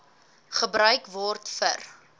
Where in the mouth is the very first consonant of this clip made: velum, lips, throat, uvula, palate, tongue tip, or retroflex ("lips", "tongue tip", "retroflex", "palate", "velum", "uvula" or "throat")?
uvula